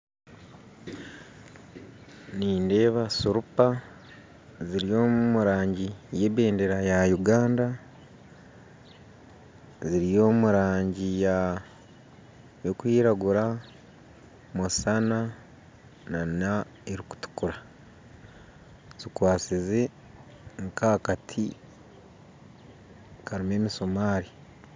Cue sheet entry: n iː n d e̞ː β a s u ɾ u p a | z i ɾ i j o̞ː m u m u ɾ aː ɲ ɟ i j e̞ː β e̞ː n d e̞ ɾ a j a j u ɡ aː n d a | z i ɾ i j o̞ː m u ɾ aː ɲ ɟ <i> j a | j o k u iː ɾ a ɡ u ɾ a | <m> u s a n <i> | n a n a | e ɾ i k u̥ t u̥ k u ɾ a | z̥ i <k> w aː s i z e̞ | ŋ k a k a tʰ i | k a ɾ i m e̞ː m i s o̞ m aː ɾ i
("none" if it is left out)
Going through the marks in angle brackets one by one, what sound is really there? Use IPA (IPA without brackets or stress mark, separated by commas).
i, m, a, k